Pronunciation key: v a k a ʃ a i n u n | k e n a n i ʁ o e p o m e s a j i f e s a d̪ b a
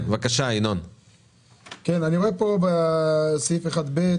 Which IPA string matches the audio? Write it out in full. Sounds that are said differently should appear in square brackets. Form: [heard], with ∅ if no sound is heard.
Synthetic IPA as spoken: v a k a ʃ a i n [o] n | k e n a n i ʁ o e p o [b] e s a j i f e [χ] a d̪ b [e]